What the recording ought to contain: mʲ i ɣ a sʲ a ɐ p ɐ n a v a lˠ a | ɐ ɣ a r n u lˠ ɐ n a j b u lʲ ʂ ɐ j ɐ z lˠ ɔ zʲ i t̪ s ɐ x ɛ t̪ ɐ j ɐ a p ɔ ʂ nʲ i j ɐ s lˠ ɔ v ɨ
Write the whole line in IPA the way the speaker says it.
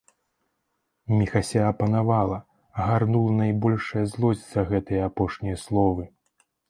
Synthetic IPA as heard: mʲ i x a sʲ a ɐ p ɐ n a v a lˠ ɐ | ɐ ɣ a r n u lˠ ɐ n a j b ɔ lʲ ʂ ɐ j ɐ z lˠ ɔ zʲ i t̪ s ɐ ɣ ɛ t̪ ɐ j ɐ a p ɔ ʂ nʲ i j ɐ s lˠ ɔ v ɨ